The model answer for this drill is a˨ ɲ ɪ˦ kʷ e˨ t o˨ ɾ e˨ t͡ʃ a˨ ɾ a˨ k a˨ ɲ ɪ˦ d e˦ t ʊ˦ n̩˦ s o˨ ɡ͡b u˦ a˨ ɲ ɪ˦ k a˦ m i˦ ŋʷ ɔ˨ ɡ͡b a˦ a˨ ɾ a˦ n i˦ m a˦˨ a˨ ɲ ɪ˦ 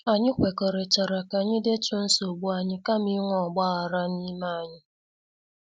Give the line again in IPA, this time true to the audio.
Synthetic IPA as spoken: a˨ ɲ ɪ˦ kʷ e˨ k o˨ ɾ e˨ t͡ʃ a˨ ɾ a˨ k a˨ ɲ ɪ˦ d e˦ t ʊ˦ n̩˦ s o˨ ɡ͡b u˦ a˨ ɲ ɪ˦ k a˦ m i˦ ŋʷ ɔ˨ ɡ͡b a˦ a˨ ɾ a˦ n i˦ m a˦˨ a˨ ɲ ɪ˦